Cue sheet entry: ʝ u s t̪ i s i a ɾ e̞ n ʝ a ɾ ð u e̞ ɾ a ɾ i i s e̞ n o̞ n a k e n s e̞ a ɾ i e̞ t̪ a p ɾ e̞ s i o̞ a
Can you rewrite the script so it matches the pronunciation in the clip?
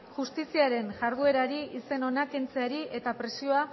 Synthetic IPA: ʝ u s t̪ i s i a ɾ e̞ n ʝ a ɾ ð u e̞ ɾ a ɾ i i s e̞ n o̞ n a k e n t͡s e̞ a ɾ i e̞ t̪ a p ɾ e̞ s i o̞ a